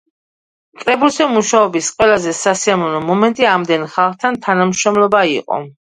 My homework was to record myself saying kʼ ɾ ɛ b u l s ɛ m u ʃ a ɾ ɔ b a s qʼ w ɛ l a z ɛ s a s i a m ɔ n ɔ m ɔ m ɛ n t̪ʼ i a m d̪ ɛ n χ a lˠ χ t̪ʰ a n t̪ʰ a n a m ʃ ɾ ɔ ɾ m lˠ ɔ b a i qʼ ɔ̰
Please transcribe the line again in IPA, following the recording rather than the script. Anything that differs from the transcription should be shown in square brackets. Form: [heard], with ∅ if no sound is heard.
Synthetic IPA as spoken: kʼ ɾ ɛ b u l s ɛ m u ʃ a [∅] ɔ b [i] s qʼ w ɛ l a z ɛ s a s i a m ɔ n ɔ m ɔ m ɛ n t̪ʼ i a m d̪ ɛ n χ a lˠ χ t̪ʰ a n t̪ʰ a n a m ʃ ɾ ɔ [∅] m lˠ ɔ b a i qʼ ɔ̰

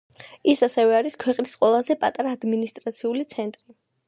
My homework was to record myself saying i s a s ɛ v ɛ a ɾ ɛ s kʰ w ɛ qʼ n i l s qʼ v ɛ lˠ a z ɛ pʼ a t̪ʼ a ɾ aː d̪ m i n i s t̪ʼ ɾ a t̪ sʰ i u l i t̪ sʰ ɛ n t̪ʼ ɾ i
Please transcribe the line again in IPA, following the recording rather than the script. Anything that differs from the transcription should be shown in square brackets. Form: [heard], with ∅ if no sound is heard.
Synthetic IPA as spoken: i s a s ɛ v ɛ a ɾ [i] s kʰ w ɛ qʼ n i [∅] s qʼ [w] ɛ lˠ a z ɛ pʼ a t̪ʼ a ɾ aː d̪ m i n i s t̪ʼ ɾ a t̪ sʰ i u l i t̪ sʰ ɛ n t̪ʼ ɾ i

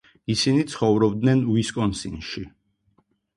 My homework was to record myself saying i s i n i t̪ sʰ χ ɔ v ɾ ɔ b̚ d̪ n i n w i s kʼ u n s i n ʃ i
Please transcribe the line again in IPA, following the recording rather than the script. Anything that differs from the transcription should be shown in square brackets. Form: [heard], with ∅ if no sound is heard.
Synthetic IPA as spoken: i s i n i t̪ sʰ χ ɔ v ɾ ɔ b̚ d̪ n [ɛ] n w i s kʼ [ɔ] n s i n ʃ i

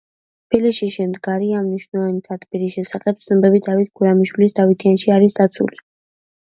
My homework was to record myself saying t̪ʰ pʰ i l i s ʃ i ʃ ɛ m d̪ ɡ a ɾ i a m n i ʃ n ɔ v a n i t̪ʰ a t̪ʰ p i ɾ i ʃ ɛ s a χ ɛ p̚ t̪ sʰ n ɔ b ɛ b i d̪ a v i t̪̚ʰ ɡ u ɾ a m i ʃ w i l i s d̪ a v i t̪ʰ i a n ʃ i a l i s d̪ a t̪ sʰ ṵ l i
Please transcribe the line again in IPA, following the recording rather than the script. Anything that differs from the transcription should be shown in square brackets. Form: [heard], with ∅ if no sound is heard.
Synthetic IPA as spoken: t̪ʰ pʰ i l i s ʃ i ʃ ɛ m d̪ ɡ a ɾ i a m n i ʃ n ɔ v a n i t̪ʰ a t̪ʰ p i ɾ i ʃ ɛ s a χ ɛ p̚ t̪ sʰ n ɔ b ɛ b i d̪ a v i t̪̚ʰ ɡ u ɾ a m i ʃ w i l i s d̪ a v i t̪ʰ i a n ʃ i a [ɾ] i s d̪ a t̪ sʰ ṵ l i

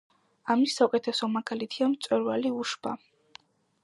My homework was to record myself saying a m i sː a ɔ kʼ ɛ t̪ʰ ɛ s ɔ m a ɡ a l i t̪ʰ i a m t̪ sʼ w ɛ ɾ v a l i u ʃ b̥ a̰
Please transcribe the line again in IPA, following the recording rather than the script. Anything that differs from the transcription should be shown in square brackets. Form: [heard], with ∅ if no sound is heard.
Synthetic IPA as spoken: a m i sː a [u] kʼ ɛ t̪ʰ ɛ s ɔ m a ɡ a l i t̪ʰ i a m t̪ sʼ w ɛ ɾ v a l i u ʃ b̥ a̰

